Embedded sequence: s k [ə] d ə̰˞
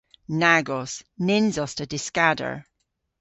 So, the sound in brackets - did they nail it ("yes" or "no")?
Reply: no